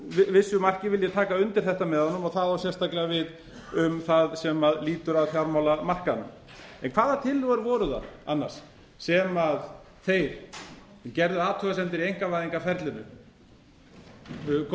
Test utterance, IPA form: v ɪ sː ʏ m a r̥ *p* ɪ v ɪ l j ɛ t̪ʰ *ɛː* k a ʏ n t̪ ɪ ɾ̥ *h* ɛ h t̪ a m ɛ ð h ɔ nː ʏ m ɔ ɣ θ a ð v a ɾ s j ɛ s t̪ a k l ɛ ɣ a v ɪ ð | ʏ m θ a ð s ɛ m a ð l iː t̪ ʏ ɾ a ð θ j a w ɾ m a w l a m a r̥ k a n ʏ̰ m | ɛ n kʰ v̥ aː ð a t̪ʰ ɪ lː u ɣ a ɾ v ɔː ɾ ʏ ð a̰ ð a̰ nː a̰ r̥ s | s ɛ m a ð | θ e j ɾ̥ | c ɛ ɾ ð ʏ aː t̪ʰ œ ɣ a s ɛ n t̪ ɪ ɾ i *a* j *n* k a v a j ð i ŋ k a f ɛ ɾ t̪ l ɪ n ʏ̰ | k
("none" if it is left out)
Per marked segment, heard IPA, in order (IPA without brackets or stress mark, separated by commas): c, aː, θ, e, ŋ